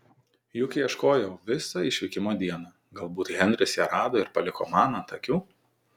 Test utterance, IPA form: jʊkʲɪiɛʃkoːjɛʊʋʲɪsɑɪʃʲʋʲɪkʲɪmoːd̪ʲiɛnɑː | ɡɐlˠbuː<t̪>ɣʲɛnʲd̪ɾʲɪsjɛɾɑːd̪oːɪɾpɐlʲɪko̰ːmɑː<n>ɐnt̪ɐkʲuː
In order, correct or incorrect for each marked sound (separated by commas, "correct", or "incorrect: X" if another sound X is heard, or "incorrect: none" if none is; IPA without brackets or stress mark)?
correct, correct